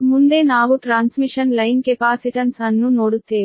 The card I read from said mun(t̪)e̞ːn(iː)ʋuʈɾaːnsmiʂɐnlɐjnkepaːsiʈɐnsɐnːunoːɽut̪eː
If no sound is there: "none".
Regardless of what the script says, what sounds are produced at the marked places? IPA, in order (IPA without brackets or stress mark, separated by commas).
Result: d̪, aː